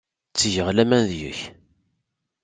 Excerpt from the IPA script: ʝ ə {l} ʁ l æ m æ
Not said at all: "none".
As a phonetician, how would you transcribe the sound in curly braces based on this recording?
none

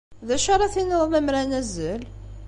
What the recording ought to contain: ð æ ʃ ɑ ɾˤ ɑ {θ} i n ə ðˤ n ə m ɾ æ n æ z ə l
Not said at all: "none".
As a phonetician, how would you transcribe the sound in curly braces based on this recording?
θ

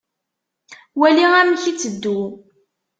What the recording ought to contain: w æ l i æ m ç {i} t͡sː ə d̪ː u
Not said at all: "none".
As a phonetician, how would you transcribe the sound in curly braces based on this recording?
i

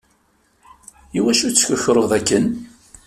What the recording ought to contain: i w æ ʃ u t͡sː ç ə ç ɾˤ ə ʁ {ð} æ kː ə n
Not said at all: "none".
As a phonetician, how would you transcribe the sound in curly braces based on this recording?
ð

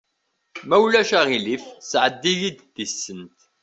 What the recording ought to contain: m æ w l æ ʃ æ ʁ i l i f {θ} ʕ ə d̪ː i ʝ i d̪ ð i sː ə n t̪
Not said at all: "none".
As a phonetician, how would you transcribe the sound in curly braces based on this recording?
s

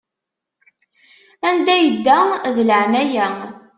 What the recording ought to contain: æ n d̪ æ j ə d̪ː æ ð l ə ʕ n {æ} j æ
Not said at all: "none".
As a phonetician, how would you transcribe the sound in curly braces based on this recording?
æ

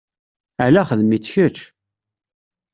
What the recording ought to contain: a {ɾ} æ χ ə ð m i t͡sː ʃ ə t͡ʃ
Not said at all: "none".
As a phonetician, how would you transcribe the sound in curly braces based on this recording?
l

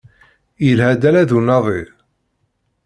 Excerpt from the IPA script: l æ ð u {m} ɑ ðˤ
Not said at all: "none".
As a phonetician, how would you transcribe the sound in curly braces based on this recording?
n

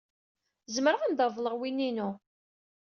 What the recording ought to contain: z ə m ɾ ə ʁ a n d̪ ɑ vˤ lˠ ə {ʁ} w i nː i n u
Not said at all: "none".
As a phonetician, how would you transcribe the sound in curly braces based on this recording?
ʁ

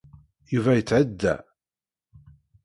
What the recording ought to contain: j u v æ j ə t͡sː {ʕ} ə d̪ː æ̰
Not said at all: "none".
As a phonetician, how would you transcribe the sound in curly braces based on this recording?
ʕ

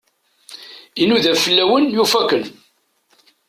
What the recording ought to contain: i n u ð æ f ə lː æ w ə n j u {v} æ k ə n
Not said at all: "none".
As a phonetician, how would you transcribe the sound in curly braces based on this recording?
f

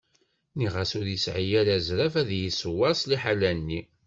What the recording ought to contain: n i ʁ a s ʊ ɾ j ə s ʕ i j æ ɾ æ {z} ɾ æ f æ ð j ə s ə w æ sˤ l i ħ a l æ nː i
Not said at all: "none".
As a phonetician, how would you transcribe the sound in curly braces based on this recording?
z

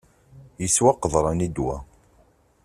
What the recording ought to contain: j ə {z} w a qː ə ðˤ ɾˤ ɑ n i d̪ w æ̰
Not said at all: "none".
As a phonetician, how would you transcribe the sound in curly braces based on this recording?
s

